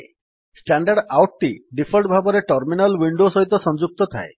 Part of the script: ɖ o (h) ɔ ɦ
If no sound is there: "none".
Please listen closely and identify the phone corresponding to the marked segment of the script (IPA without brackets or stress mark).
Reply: s